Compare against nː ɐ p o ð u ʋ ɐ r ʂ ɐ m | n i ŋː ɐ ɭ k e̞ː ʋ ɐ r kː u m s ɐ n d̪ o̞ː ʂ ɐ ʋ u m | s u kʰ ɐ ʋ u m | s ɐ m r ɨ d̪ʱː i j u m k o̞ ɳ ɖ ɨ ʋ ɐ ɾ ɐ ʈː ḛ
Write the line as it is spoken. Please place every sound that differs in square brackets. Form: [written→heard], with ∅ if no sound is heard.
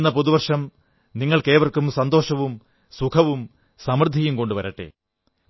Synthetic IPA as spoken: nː ɐ p o ð u ʋ ɐ r ʂ ɐ m | n i ŋː ɐ ɭ k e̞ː ʋ ɐ r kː u m s ɐ n d̪ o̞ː ʂ ɐ ʋ u m | s u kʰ ɐ ʋ u m | s ɐ m r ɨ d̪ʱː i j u m k o̞ ɳ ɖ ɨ ʋ ɐ ɾ ɐ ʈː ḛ

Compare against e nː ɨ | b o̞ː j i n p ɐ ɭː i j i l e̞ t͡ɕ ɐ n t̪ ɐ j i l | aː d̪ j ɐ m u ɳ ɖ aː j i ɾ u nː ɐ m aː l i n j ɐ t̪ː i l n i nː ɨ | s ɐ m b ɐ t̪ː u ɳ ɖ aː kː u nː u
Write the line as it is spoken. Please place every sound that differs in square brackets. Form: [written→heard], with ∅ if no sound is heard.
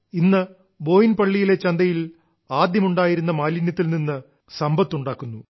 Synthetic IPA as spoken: [e→i] nː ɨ | b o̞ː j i n p ɐ ɭː i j i l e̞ t͡ɕ ɐ n [t̪→d̪] ɐ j i l | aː d̪ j ɐ m u ɳ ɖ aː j i ɾ u nː ɐ m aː l i n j ɐ t̪ː i l n i nː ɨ | s ɐ m b ɐ t̪ː u ɳ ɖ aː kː u nː u

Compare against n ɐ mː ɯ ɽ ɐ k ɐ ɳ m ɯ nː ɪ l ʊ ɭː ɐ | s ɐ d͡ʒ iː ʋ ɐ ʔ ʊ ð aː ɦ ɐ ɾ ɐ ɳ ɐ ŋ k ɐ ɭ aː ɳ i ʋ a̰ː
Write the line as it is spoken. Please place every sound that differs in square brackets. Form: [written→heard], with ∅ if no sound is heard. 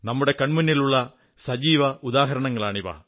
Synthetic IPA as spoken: n ɐ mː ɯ ɽ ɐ k ɐ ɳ m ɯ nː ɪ l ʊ ɭː ɐ | s ɐ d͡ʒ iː ʋ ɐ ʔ ʊ ð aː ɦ ɐ ɾ ɐ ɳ ɐ ŋ [k→ɡ] ɐ ɭ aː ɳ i ʋ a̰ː

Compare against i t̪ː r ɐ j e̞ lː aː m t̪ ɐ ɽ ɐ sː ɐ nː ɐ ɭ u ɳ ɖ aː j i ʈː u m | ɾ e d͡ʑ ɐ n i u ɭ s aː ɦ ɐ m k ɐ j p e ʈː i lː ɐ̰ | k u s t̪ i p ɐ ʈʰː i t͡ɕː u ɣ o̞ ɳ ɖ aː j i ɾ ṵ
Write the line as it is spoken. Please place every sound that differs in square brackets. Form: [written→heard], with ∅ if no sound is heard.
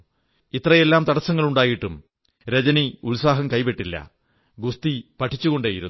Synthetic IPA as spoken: i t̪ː r ɐ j e̞ lː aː m t̪ ɐ ɽ ɐ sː ɐ [nː→ŋː] ɐ ɭ u ɳ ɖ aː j i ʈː u m | ɾ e d͡ʑ ɐ n i u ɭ s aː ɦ ɐ m k ɐ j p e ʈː i lː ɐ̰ | [k→ɡ] u s t̪ i p ɐ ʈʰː i t͡ɕː u ɣ o̞ ɳ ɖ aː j i ɾ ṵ

